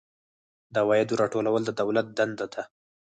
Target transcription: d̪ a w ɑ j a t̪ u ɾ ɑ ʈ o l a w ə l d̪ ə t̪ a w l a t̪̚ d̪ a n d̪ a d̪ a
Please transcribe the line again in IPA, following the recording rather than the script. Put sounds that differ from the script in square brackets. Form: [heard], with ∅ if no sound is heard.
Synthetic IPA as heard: d̪ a w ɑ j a [d̪] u ɾ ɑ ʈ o l a w ə l d̪ ə [d̪] a w l a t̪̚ d̪ a n d̪ a d̪ a